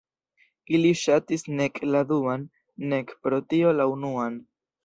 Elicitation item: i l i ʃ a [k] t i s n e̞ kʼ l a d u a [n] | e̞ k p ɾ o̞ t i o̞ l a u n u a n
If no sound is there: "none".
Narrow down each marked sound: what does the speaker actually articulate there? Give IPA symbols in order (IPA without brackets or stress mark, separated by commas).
none, nː